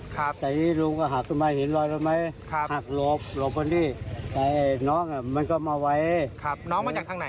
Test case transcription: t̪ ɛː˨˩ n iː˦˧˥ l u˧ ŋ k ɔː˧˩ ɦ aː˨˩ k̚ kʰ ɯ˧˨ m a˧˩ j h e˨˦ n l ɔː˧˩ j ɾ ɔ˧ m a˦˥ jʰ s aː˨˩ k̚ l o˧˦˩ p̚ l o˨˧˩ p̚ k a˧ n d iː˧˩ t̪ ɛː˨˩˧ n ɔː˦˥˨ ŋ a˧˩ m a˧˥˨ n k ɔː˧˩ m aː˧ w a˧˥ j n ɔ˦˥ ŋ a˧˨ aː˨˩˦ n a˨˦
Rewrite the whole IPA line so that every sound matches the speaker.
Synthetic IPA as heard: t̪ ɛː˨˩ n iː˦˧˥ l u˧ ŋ k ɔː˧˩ ɦ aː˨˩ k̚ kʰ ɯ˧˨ m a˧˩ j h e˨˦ n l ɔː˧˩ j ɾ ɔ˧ m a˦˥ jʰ h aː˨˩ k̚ l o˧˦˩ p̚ l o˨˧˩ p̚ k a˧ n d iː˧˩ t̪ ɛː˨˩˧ n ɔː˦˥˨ ŋ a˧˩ m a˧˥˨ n k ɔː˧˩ m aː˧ w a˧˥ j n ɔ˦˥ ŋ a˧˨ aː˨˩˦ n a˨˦